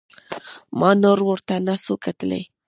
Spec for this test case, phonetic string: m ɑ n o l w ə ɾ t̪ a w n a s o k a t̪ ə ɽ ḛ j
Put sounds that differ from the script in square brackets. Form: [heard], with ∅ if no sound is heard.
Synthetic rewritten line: m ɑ n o [ɾ] w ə ɾ t̪ a [∅] n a s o k a t̪ ə [l] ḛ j